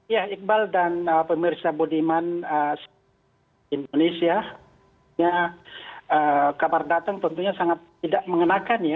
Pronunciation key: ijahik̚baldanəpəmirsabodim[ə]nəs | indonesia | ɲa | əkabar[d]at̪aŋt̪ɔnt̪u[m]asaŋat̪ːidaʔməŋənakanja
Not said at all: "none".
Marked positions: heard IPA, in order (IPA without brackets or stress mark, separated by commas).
a, d, ɲ